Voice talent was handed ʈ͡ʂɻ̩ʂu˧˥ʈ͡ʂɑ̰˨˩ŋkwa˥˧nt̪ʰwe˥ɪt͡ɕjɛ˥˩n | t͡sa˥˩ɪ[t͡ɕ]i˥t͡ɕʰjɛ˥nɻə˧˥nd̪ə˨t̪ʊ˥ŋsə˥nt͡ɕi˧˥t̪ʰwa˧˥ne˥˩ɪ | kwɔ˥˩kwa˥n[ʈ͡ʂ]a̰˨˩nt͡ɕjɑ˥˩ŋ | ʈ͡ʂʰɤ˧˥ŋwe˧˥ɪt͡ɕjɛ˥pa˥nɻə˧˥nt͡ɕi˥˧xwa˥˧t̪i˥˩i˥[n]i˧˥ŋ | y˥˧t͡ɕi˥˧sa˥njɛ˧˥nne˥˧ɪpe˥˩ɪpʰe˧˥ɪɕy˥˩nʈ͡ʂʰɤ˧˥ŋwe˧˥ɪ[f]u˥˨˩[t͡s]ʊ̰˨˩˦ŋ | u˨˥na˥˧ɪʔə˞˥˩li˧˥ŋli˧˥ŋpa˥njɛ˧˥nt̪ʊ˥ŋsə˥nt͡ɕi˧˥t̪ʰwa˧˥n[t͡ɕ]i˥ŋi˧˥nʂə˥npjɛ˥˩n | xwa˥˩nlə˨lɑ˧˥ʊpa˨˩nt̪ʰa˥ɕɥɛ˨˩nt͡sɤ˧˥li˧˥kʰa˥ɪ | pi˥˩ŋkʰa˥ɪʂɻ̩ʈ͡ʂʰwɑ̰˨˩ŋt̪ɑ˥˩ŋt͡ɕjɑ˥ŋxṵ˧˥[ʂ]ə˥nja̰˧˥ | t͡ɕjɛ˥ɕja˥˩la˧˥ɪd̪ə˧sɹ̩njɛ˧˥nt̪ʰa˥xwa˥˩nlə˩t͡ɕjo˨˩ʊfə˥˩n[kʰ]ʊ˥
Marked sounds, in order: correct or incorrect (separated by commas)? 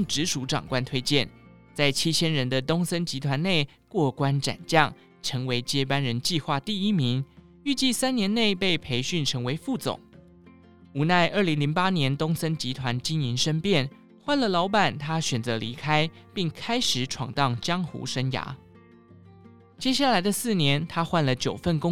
incorrect, correct, incorrect, correct, correct, correct, correct, incorrect